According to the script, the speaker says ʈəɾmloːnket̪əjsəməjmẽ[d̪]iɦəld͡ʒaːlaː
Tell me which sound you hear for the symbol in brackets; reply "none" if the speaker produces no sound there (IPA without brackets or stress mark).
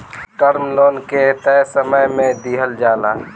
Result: d̪